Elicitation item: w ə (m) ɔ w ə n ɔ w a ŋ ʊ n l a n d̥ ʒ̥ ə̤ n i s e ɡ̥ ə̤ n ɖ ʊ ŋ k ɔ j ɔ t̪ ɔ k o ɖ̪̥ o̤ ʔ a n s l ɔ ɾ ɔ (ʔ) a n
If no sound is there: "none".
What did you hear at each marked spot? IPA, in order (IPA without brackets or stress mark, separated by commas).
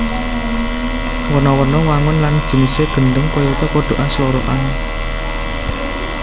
n, ʔ